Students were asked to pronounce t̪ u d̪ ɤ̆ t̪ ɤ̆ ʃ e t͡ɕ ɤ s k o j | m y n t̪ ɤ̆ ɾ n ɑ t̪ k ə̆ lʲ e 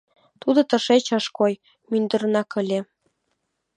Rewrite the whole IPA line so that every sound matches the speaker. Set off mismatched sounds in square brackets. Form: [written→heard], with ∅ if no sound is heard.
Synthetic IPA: t̪ u d̪ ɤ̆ t̪ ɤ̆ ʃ e t͡ɕ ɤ [s→ʃ] k o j | m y n [t̪→d̪] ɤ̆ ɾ n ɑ [t̪→∅] k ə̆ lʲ e